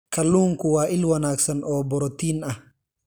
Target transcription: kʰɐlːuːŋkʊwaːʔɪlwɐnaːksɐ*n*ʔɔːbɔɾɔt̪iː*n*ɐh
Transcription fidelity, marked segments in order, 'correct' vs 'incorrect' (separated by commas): correct, correct